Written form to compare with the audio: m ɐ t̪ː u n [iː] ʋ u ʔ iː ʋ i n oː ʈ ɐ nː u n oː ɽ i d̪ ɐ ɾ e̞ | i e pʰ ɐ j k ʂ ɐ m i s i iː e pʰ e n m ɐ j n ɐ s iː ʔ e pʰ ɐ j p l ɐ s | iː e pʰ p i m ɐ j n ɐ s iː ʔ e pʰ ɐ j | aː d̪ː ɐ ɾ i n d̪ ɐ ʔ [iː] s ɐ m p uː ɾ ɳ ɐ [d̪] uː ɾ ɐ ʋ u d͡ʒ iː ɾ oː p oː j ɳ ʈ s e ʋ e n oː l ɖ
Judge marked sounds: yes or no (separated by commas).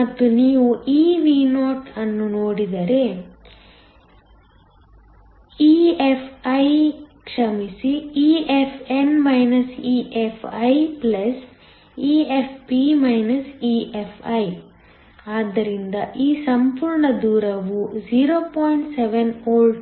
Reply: yes, yes, yes